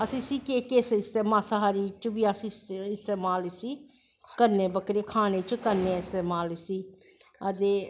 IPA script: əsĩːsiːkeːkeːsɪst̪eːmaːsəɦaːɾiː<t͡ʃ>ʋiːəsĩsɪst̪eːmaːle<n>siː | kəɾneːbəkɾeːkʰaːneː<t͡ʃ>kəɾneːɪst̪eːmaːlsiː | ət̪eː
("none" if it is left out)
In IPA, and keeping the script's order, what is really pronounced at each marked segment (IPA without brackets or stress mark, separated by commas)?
t͡ʃ, none, t͡ʃ